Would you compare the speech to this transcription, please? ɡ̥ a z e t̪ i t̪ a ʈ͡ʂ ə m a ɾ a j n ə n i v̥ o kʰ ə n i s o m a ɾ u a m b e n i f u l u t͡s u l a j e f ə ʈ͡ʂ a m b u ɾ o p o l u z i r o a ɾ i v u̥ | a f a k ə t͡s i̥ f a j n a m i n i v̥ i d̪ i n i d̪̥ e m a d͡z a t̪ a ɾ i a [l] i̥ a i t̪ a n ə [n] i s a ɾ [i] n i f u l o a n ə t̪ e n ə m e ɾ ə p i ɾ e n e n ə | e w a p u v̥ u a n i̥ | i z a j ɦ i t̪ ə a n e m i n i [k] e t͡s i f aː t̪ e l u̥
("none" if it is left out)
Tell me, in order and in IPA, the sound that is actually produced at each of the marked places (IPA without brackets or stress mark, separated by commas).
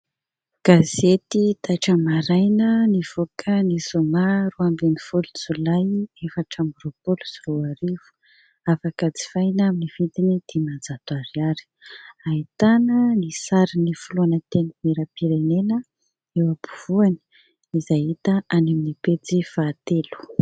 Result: ɾ, n, i, p